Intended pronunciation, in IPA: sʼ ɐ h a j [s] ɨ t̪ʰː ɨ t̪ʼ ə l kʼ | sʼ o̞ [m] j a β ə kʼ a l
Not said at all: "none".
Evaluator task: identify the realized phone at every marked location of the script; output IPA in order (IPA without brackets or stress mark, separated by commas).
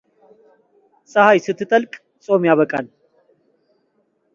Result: s, m